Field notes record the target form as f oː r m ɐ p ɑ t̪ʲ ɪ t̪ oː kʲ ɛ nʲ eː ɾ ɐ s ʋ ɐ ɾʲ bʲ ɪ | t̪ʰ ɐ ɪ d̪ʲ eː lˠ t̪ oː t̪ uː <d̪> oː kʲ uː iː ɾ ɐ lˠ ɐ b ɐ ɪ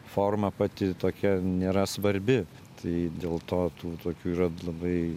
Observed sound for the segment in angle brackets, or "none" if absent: t̪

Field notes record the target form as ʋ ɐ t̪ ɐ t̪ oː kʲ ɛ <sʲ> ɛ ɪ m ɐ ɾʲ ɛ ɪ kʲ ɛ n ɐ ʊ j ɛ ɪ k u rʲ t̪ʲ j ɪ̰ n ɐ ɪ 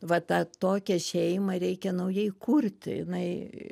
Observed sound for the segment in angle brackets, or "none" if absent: ʃʲ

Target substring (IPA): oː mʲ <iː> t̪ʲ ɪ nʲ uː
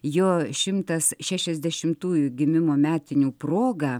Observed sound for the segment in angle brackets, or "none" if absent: æː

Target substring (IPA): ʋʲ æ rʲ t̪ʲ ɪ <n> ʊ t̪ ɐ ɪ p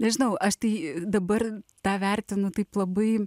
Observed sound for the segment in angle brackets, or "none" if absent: n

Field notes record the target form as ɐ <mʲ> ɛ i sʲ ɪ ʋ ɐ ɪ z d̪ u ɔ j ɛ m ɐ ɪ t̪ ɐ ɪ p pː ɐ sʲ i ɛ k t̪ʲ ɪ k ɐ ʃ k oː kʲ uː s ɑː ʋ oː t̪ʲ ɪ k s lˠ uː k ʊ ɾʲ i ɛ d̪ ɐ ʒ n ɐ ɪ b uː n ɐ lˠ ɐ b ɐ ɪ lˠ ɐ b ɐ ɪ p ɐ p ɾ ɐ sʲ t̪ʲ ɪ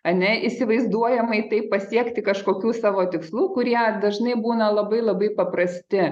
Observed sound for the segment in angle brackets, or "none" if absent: nʲ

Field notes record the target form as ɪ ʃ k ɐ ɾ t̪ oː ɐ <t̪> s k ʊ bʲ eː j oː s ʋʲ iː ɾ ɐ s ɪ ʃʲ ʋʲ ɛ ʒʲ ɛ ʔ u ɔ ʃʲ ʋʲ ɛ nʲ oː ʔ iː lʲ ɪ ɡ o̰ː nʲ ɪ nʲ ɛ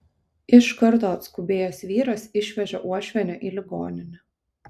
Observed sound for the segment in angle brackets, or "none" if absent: t̪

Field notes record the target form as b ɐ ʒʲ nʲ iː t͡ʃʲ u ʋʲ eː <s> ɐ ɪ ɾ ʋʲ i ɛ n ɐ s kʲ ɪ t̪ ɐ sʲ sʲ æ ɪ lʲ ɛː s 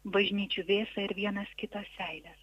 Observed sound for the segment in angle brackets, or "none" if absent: s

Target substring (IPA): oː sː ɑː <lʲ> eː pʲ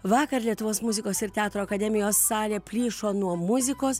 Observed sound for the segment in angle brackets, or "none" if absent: lʲ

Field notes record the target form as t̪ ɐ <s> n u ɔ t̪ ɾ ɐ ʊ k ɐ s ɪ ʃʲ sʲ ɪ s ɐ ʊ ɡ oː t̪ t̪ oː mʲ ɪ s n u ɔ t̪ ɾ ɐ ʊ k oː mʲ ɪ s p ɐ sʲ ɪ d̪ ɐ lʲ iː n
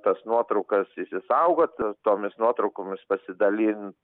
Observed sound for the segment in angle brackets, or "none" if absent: s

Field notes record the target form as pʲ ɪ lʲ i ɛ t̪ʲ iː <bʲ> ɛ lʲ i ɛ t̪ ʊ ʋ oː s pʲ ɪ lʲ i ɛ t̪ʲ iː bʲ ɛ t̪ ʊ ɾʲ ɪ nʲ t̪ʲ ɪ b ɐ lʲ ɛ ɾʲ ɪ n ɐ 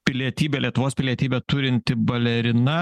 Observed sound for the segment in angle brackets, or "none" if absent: bʲ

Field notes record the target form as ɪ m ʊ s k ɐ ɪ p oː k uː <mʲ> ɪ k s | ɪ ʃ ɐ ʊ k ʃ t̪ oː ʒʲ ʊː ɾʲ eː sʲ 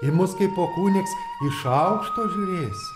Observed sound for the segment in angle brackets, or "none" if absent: nʲ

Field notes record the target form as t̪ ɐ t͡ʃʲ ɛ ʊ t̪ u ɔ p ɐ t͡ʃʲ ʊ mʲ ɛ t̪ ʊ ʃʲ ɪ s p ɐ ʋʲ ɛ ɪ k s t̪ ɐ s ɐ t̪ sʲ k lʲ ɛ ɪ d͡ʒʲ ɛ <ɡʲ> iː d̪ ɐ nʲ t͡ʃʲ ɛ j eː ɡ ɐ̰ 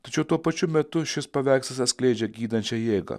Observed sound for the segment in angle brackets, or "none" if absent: ɡʲ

